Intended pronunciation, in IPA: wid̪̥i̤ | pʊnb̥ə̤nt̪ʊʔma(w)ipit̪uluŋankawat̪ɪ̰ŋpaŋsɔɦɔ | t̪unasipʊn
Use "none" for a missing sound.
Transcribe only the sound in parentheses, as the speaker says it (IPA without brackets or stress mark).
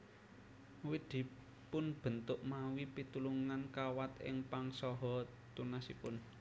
w